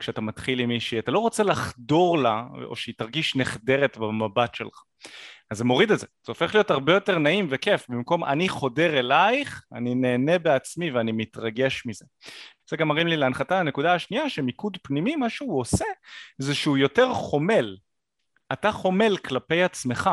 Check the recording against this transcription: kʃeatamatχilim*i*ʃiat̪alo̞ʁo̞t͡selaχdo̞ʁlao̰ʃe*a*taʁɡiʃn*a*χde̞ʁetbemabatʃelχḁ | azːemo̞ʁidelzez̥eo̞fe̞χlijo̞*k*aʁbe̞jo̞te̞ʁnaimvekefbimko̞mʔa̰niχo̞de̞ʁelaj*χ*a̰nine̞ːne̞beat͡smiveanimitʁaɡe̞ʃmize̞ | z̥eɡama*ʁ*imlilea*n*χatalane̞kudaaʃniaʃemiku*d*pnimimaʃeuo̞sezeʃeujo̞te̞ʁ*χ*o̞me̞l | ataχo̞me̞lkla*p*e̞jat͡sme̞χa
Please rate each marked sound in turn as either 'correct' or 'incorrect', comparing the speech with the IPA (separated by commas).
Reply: correct, incorrect, incorrect, incorrect, correct, correct, correct, correct, correct, correct